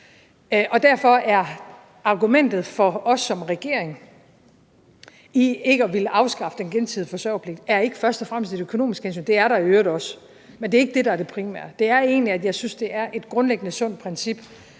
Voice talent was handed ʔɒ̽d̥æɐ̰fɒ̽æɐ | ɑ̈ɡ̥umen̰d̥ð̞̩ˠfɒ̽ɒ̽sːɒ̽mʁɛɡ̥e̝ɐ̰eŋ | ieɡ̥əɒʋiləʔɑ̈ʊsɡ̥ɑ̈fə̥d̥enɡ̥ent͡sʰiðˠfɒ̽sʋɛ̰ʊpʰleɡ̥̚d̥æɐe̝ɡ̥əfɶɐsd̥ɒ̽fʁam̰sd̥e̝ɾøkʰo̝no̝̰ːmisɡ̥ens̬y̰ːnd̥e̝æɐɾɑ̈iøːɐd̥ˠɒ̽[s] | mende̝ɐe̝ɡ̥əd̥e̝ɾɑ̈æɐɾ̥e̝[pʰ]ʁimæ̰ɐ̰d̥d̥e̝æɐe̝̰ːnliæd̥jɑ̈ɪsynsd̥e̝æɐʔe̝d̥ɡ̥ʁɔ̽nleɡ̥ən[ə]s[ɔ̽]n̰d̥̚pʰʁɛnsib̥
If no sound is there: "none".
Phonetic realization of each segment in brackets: s, pʰ, ə, ɔ̽

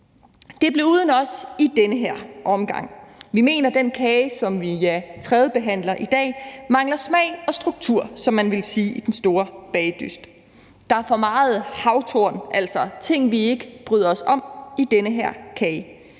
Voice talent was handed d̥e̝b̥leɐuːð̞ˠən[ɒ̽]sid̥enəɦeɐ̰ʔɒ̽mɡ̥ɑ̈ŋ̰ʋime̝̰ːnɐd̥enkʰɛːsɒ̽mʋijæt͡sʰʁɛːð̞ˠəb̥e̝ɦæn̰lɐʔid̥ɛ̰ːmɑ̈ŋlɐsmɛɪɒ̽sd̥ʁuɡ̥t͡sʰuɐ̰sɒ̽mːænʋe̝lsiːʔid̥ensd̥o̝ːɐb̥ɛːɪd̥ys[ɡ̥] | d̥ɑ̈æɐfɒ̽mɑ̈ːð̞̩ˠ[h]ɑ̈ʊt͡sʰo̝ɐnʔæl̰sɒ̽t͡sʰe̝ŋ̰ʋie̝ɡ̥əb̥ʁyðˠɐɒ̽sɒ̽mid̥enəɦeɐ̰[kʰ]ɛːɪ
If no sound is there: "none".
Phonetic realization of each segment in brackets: ɒ̽, d̥, h, kʰ

